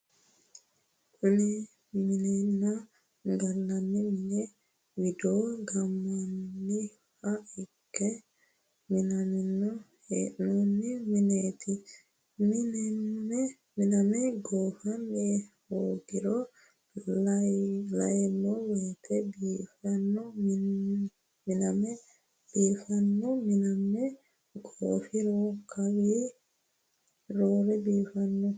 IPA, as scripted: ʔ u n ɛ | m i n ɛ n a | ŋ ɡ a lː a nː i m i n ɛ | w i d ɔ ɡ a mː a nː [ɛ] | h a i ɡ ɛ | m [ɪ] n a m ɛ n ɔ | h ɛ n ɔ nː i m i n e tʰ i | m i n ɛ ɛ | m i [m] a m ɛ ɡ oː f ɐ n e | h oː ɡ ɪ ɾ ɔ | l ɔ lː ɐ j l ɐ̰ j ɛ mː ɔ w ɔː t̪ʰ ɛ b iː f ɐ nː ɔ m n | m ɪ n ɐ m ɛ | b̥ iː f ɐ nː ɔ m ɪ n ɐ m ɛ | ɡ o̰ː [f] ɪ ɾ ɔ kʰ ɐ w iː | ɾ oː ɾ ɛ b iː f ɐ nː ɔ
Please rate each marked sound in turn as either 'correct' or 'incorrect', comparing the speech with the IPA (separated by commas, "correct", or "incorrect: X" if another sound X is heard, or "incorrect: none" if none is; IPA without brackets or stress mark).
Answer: incorrect: i, incorrect: i, incorrect: n, correct